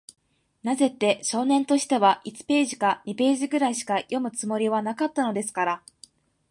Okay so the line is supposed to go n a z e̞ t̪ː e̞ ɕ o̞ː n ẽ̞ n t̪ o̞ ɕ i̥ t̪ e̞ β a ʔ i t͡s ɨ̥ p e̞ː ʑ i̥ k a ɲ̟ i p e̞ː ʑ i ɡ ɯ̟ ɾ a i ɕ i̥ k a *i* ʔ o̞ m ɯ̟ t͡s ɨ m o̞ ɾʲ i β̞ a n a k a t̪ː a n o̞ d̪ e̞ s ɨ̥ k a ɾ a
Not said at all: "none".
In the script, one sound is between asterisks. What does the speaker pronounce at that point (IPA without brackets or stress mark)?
j